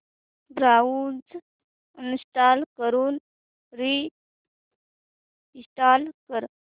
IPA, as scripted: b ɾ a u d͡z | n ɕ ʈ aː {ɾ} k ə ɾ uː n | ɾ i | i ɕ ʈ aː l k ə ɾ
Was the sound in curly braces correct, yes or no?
no